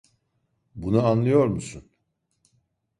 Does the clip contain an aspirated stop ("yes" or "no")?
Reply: no